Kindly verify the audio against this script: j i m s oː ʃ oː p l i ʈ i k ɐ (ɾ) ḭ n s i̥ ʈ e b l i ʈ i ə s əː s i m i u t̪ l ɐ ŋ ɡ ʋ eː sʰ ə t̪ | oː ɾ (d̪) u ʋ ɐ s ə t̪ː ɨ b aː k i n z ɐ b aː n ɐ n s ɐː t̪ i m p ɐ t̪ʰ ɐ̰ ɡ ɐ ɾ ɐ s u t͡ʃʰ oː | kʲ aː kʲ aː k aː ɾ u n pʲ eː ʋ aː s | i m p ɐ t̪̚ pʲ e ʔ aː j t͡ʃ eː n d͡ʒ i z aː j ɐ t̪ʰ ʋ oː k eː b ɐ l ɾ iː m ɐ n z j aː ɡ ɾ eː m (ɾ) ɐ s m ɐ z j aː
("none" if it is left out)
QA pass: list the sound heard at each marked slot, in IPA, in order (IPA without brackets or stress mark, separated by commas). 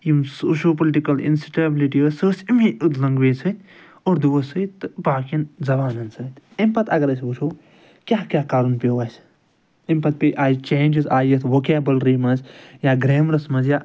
l, d̪, ɾ